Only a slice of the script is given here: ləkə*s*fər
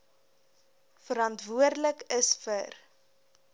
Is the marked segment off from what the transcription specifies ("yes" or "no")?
no